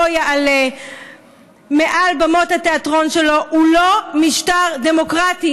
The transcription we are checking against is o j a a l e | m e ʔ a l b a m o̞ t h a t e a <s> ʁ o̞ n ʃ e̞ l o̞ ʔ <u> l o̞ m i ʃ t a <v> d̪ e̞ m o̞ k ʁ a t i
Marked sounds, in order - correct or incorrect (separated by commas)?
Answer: incorrect, correct, incorrect